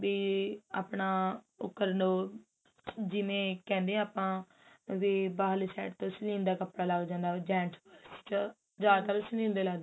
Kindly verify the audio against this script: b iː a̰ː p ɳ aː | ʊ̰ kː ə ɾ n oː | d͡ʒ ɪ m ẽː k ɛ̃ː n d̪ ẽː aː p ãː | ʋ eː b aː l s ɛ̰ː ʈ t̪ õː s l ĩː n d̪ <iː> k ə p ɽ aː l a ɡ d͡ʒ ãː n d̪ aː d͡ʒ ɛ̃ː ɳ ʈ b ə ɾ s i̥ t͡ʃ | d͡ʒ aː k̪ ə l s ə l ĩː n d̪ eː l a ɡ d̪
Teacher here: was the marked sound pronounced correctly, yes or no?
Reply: no